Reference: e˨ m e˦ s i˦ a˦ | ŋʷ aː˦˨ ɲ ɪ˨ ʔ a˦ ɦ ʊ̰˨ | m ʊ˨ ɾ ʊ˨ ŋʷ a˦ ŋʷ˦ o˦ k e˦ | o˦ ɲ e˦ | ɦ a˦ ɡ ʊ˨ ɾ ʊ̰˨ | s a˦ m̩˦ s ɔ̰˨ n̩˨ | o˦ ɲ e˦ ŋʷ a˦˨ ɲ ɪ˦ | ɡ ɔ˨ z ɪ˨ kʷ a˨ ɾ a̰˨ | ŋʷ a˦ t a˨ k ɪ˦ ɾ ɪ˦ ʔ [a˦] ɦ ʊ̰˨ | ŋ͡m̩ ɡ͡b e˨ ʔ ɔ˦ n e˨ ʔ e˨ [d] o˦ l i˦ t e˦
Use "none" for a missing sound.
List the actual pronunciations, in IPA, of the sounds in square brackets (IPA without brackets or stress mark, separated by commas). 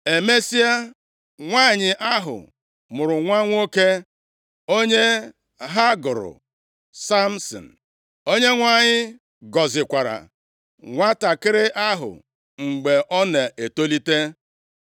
a˦, t